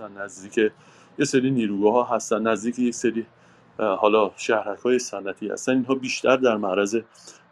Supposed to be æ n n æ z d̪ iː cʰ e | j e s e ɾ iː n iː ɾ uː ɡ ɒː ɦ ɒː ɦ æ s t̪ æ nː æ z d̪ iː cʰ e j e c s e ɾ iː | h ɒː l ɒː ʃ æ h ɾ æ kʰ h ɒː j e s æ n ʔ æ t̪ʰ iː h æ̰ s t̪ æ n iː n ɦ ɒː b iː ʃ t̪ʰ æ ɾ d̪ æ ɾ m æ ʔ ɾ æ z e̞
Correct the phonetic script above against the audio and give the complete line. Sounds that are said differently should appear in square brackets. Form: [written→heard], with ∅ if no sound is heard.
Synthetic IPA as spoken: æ n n æ z d̪ iː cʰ e | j e s e ɾ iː n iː ɾ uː ɡ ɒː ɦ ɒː ɦ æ s t̪ æ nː æ z d̪ iː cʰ e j e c s e ɾ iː | h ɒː l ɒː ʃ æ h ɾ æ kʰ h ɒː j e s æ n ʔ æ t̪ʰ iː h æ̰ s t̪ æ n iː n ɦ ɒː b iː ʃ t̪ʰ æ ɾ d̪ æ ɾ m æ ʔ ɾ æ z e̞